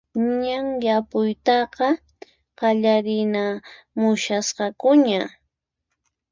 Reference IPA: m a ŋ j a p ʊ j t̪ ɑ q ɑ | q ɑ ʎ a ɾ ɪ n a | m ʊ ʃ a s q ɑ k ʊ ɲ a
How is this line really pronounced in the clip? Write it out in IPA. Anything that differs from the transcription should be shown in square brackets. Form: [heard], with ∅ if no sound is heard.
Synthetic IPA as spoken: [ɲ] a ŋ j a p ʊ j t̪ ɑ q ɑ | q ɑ ʎ a ɾ ɪ n a | m ʊ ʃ a s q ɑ k ʊ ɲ a